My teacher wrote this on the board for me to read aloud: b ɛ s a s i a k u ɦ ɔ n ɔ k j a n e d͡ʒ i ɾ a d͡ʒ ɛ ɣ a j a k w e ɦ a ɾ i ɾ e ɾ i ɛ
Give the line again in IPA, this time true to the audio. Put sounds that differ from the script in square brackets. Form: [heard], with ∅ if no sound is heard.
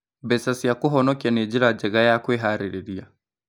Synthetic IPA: b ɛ s a s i a k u ɦ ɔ n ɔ k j a n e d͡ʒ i ɾ a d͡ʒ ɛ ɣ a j a k w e ɦ a ɾ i ɾ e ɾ i [a]

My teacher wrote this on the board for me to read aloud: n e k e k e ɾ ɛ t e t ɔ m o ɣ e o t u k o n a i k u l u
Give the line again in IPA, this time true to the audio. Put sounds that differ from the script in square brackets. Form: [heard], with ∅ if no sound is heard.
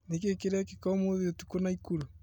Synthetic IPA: n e k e k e ɾ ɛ [k] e [k] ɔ m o [ð] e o t u k o n a i k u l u

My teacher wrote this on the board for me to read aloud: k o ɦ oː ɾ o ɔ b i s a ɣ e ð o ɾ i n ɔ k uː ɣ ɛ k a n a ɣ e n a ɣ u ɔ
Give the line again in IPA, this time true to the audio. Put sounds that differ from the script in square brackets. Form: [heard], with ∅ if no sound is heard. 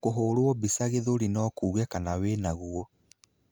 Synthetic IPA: k o ɦ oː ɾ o ɔ b i s a ɣ e ð o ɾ i n ɔ k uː ɣ ɛ k a n a [w] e n a ɣ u ɔ

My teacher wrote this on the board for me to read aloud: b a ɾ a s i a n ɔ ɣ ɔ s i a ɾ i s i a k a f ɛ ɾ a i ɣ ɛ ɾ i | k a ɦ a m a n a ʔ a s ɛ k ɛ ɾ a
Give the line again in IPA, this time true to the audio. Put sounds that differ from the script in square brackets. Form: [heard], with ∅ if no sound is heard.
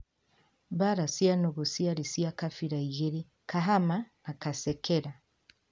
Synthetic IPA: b a ɾ a s i a n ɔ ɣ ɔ s i a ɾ i s i a k a f [i] ɾ a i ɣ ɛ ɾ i | k a ɦ a m a n a [k] a s ɛ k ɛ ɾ a

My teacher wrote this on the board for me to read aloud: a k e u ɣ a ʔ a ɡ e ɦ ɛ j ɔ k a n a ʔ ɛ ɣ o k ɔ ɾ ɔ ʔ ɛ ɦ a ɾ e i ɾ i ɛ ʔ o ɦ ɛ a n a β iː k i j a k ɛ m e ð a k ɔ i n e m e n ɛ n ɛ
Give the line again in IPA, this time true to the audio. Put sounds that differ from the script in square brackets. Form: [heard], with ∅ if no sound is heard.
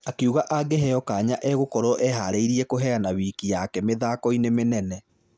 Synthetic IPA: a k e u ɣ a ʔ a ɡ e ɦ ɛ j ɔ k a [ɲ] a ʔ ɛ ɣ o k ɔ ɾ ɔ ʔ ɛ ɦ a ɾ e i ɾ i ɛ [k] o ɦ ɛ a n a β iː k i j a k ɛ m e ð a k ɔ i n e m e n ɛ n ɛ

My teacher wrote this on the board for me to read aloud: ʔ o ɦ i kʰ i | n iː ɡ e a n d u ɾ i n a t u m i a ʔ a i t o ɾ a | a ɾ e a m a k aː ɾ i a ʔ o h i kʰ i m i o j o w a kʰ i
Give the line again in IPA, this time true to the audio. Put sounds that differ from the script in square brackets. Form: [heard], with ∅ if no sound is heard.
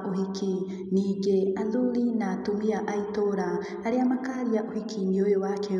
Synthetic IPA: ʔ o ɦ i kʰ i | n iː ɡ e a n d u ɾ i n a t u m i a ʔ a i t o ɾ a | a ɾ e a m a k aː ɾ i a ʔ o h i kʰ i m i o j o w a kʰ [e]

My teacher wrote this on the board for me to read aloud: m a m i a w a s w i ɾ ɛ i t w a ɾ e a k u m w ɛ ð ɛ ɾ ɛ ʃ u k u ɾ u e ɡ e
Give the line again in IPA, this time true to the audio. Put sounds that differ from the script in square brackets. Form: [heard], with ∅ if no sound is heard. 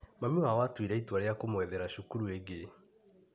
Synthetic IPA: m a m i a w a [t] w i ɾ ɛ i t w a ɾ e a k [o] m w ɛ ð ɛ ɾ [a] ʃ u k u ɾ u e ɡ e

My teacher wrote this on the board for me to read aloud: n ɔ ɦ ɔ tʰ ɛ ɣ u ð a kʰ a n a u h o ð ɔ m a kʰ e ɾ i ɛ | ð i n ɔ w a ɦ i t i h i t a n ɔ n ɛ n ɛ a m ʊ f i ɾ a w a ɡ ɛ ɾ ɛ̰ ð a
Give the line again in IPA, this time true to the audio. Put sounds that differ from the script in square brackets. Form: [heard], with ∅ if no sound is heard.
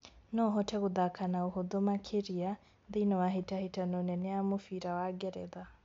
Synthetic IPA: n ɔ ɦ ɔ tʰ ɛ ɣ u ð a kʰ a n a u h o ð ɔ m a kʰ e ɾ i [a] | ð i n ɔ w a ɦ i t [a] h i t a n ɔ n ɛ n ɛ a m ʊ f i ɾ a w a ɡ ɛ ɾ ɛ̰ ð a

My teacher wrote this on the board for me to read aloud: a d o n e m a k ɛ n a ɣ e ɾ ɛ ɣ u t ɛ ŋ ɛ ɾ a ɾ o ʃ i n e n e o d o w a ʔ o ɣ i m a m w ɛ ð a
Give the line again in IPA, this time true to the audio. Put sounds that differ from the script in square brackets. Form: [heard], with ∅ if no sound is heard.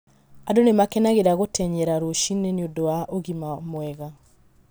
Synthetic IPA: a d o n e m a k ɛ n a ɣ e ɾ [a] ɣ [o] t ɛ [ɲ] ɛ ɾ a ɾ o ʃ i n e n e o d o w a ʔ o ɣ i m a m w ɛ [ɣ] a

